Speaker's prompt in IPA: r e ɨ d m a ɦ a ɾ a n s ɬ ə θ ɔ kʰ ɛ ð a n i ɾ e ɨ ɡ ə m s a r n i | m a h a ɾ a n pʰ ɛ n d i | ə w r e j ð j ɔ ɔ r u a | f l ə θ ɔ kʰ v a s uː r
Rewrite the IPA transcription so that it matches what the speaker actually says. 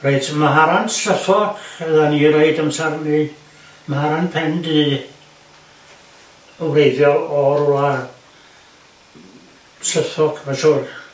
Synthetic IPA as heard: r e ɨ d m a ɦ a ɾ a n s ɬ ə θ ɔ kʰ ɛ ð a n i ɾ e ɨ d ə m s a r n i | m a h a ɾ a n pʰ ɛ n d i | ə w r e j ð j ɔ ɔ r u a | s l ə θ ɔ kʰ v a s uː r